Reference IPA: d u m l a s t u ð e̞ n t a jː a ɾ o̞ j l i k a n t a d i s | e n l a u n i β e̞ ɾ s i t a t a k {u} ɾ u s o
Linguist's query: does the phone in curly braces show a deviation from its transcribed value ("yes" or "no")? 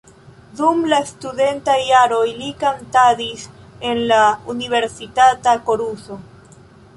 yes